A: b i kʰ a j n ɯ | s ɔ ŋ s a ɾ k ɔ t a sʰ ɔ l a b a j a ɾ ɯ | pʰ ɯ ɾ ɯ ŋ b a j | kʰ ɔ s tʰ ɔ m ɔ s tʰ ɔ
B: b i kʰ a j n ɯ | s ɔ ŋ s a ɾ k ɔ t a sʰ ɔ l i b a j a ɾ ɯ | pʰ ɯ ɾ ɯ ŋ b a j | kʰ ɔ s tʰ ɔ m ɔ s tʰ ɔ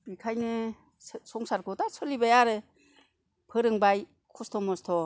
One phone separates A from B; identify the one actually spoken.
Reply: B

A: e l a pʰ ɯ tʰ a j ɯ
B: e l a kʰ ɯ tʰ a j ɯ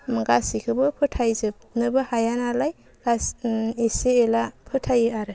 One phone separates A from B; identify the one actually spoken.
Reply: A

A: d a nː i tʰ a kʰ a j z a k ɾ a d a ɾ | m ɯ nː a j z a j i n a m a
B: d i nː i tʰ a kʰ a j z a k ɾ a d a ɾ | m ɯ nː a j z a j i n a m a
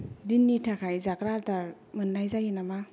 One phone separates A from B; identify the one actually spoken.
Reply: B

